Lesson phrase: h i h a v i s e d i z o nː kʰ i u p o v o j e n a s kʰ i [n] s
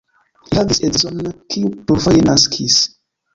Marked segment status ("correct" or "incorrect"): incorrect